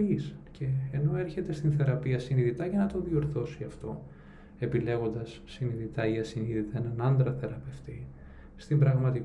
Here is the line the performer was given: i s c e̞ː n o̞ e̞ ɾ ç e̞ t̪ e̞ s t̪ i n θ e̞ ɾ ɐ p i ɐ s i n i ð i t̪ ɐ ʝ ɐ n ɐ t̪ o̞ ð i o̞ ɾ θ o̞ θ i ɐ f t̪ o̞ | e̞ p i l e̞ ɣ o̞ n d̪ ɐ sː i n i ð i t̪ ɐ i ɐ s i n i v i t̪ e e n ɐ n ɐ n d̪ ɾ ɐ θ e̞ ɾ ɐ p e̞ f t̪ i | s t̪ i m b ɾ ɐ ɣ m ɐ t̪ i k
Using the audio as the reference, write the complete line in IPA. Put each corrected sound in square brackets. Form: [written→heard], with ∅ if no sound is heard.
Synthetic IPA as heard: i s c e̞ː n o̞ e̞ ɾ ç e̞ t̪ e̞ s t̪ i n θ e̞ ɾ ɐ p i ɐ s i n i ð i t̪ ɐ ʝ ɐ n ɐ t̪ o̞ ð i o̞ ɾ θ o̞ [θ→s] i ɐ f t̪ o̞ | e̞ p i l e̞ ɣ o̞ n d̪ ɐ sː i n i ð i t̪ ɐ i ɐ s i n i [v→ð] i t̪ e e n ɐ n ɐ n d̪ ɾ ɐ θ e̞ ɾ ɐ p e̞ f t̪ i | s t̪ i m b ɾ ɐ ɣ m ɐ t̪ i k